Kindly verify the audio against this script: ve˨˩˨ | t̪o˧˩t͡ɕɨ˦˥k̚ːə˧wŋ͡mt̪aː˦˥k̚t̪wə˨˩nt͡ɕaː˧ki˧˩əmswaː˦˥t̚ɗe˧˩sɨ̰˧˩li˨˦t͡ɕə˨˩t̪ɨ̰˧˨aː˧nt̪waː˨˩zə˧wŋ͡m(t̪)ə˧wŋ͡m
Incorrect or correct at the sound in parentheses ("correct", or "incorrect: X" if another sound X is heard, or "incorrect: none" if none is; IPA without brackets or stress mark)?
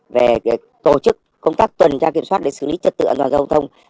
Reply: incorrect: t̪ʰ